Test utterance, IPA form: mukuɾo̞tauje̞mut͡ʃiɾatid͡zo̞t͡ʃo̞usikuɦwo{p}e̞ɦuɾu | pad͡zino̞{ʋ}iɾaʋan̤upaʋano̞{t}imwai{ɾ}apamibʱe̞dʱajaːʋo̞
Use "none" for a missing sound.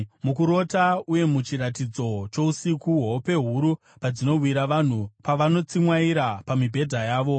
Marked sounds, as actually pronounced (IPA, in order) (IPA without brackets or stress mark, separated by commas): p, w, t͡s, ɾ